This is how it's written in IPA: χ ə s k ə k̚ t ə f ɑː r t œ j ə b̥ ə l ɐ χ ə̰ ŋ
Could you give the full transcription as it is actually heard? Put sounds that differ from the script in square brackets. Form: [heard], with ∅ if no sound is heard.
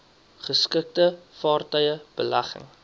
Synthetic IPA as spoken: χ ə s k ə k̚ t ə f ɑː r t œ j ə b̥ ə l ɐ χ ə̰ ŋ